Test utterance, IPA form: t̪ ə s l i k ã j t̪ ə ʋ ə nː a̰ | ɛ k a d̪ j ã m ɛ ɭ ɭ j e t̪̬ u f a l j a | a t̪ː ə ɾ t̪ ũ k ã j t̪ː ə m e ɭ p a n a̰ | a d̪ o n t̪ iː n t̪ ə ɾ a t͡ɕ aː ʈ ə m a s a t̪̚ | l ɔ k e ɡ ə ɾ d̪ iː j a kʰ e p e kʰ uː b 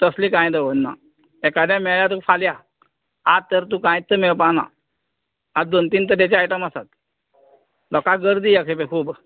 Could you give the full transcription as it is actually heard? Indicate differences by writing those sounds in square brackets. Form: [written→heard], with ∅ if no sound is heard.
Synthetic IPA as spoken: t̪ ə s l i k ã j [t̪→d̪] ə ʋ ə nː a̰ | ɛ k a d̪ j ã m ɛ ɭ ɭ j [e→a] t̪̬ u f a l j a | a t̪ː ə ɾ t̪ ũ k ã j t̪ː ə m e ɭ p a n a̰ | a d̪ o n t̪ iː n t̪ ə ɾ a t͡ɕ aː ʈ ə m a s a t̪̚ | l ɔ k [e→a] ɡ ə ɾ d̪ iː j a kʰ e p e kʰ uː b